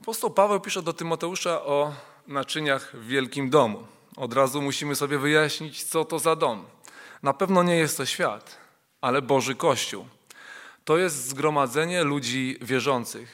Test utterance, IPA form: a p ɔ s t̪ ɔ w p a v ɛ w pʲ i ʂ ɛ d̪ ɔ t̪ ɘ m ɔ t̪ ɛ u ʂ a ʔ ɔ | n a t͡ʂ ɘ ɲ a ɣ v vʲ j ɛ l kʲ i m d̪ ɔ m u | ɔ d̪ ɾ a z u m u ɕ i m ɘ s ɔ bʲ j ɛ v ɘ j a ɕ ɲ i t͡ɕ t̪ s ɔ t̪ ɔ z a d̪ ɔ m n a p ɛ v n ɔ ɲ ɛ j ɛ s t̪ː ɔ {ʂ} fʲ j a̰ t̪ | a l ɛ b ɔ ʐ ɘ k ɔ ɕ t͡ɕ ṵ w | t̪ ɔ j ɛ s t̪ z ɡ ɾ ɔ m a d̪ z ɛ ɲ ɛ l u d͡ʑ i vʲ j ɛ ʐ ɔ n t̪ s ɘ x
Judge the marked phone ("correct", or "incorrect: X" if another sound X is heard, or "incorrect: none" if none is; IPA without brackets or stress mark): incorrect: ɕ